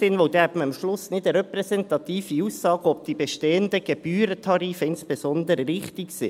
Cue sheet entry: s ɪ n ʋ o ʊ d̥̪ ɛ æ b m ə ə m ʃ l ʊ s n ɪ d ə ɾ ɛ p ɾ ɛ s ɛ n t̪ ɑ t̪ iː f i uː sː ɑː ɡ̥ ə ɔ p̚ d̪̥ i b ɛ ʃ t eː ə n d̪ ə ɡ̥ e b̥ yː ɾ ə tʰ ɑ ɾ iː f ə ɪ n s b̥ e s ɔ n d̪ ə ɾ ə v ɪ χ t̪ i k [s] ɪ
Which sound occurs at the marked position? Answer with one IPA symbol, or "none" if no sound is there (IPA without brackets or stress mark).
s